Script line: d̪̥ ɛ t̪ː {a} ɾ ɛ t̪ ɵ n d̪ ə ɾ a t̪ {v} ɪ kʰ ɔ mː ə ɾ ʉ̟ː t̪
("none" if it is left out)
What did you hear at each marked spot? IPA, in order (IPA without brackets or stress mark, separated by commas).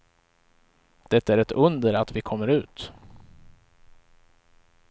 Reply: æ, v